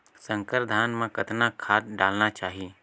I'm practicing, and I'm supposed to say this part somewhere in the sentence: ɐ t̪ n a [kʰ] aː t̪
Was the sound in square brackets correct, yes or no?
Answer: yes